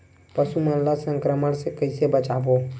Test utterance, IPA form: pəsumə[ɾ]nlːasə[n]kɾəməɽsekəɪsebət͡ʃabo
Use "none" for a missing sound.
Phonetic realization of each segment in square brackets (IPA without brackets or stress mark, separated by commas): none, ŋ